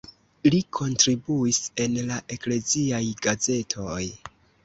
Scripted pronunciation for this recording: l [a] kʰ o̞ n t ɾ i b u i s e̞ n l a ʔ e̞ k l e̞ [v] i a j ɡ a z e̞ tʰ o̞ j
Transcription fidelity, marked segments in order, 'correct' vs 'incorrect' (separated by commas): incorrect, incorrect